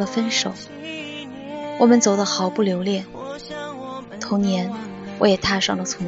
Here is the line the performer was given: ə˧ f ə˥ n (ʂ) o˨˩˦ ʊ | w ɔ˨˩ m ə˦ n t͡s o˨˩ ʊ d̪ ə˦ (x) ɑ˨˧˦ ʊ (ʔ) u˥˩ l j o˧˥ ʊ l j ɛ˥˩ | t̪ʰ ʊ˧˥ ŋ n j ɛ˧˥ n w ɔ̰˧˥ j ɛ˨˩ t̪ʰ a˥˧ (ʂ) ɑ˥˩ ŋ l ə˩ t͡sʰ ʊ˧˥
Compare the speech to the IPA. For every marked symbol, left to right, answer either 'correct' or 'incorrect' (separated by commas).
correct, correct, incorrect, correct